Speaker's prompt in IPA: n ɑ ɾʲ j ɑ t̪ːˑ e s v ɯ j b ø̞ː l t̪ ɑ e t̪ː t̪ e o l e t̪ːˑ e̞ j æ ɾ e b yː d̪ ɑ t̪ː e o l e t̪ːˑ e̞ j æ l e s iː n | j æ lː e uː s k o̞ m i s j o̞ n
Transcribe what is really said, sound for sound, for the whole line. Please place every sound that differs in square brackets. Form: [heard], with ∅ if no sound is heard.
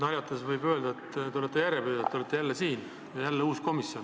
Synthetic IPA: n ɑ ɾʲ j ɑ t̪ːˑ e s v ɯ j b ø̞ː l [d̪] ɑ e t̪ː t̪ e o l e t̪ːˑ e̞ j æ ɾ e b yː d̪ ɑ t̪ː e o l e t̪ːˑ e̞ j æ [lː] e s iː n | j æ lː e uː s k o̞ m i s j o̞ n